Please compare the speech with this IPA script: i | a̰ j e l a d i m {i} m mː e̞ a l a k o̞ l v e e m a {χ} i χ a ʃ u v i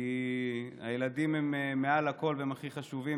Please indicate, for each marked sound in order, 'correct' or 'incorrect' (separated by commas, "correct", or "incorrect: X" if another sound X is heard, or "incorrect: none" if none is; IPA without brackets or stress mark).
incorrect: e, correct